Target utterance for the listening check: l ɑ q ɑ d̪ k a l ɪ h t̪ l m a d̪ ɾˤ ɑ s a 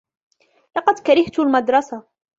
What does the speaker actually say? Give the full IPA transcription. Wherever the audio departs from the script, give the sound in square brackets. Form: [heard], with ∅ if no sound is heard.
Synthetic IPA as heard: l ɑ q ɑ d̪ k a [ɾ] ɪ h t̪ l m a d̪ ɾˤ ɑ s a